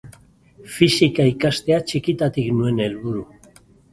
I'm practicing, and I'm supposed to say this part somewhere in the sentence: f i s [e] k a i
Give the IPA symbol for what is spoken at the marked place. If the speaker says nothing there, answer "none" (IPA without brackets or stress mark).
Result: i